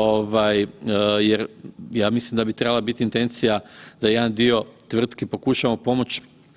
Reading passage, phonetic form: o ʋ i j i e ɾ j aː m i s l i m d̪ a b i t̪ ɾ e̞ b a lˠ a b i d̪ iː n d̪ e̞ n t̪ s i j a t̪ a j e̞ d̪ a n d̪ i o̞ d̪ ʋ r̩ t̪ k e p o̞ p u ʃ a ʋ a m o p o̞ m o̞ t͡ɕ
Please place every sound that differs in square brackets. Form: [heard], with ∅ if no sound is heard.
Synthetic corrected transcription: o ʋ [a] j [j] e ɾ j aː m i s l i m d̪ a b i t̪ ɾ e̞ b a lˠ a b i [t̪] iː n [t̪] e̞ n t̪ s i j a [d̪] a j e̞ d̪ a n d̪ i o̞ [t̪] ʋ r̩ t̪ k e p o̞ [k] u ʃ a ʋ a m o p o̞ m o̞ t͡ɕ